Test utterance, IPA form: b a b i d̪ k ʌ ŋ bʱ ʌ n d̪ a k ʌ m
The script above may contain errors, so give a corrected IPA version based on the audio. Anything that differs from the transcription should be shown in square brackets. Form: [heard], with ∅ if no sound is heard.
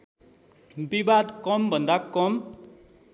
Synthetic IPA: b [i] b [a] d̪ k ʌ [m] bʱ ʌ n d̪ a k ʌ m

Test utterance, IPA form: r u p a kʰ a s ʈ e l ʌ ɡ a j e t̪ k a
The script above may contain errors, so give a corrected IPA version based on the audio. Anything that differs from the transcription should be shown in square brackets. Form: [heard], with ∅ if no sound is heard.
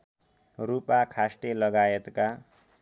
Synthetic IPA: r u p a kʰ a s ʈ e l ʌ ɡ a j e t̪ k a

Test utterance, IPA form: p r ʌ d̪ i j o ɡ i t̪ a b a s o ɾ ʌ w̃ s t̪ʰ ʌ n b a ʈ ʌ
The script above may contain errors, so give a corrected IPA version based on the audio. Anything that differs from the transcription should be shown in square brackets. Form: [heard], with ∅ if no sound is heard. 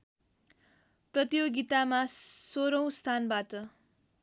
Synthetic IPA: p r ʌ [t̪] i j o ɡ i t̪ a [m] a s o ɾ ʌ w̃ s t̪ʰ [a] n b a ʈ ʌ

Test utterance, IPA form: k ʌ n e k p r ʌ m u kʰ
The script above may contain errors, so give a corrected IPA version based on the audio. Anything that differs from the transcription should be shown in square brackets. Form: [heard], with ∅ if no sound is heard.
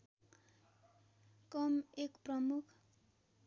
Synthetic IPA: k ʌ [m] e k p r ʌ m u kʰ

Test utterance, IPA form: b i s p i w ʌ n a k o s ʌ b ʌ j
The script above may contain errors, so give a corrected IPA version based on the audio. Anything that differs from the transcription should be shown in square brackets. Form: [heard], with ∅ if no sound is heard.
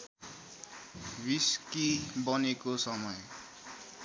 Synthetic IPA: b i s [k] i [b] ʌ n [e] k o s ʌ [m] ʌ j

